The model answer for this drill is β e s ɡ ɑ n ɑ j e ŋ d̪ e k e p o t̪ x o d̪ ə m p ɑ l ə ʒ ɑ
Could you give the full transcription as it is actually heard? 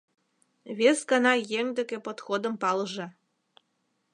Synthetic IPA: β e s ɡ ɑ n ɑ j e ŋ d̪ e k e p o t̪ x o d̪ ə m p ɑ l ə ʒ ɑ